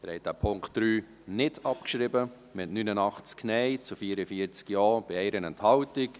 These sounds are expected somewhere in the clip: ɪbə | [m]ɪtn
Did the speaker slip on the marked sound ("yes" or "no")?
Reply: no